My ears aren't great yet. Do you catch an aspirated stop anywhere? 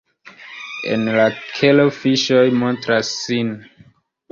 yes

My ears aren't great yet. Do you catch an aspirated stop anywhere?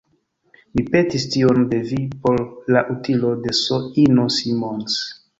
no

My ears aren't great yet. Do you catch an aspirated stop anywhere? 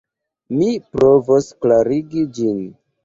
no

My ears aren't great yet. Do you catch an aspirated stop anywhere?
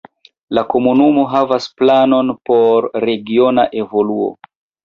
no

